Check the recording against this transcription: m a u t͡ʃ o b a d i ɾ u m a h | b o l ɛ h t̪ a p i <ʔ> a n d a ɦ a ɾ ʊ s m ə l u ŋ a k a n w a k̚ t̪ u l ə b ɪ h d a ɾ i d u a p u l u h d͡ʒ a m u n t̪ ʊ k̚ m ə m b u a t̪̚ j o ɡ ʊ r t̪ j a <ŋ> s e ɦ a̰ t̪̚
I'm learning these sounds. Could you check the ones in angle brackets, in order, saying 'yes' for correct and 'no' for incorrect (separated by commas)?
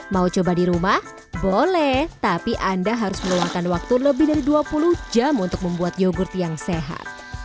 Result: yes, yes